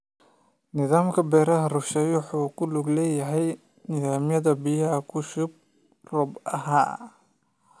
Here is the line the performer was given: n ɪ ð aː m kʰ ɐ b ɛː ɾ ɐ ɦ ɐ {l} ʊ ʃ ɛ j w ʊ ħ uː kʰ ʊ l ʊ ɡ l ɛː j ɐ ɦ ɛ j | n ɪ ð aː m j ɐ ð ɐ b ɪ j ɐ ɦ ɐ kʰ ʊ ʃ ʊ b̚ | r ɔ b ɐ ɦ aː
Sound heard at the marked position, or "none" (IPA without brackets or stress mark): r